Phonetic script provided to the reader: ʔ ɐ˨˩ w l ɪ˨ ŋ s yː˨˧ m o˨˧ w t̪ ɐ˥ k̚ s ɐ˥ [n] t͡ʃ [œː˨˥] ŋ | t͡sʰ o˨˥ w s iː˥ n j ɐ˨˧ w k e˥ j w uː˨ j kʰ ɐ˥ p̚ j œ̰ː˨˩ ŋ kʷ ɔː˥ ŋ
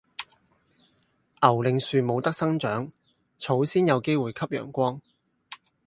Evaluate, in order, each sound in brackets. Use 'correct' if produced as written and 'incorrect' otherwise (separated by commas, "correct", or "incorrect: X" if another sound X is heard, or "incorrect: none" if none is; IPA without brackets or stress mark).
incorrect: ŋ, correct